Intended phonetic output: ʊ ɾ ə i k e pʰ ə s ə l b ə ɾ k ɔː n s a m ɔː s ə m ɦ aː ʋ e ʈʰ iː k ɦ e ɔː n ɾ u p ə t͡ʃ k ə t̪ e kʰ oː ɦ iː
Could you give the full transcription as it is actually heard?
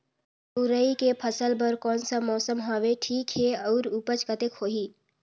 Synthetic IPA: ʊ ɾ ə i k e pʰ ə s ə l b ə ɾ k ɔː n s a m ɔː s ə m ɦ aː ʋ e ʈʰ iː k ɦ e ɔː ɾ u p ə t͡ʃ k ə t̪ e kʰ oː ɦ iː

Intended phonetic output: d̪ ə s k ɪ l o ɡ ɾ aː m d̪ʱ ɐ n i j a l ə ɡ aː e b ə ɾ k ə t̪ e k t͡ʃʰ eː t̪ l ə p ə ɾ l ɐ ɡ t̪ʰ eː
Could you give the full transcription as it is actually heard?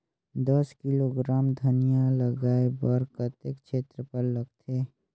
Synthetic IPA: d̪ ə s k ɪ l o ɡ ɾ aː m d̪ʱ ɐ n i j a l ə ɡ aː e b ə ɾ k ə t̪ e k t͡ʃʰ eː t̪ ɾ ə p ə ɾ l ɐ ɡ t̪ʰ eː

